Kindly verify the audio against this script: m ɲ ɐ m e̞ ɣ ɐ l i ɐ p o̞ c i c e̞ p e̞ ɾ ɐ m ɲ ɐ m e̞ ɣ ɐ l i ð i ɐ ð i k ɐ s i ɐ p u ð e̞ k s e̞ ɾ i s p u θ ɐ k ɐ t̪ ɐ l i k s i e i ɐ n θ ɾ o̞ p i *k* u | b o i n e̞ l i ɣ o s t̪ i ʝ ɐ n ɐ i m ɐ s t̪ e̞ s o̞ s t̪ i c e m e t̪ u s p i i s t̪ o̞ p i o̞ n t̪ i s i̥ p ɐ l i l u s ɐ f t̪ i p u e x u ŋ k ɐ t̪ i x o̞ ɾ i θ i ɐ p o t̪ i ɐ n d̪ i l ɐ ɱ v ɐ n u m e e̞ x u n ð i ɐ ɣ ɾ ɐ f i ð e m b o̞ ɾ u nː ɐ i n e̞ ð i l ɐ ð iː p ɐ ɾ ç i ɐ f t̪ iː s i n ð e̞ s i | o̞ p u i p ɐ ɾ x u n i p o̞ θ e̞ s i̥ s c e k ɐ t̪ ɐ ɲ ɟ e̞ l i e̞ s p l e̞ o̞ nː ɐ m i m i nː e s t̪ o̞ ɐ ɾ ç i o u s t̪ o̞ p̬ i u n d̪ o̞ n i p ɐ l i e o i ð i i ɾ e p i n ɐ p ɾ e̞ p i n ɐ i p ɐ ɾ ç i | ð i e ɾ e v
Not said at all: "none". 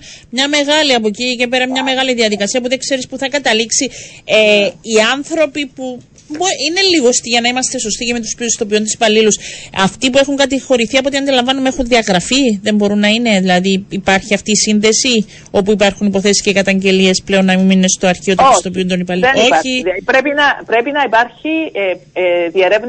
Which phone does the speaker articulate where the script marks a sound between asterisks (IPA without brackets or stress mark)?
p